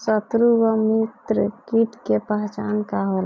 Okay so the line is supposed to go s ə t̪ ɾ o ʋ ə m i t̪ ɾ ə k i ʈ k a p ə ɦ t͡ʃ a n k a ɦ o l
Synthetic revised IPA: s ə t̪ ɾ u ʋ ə m i t̪ ɾ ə k i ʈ k e p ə ɦ t͡ʃ a n k a ɦ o l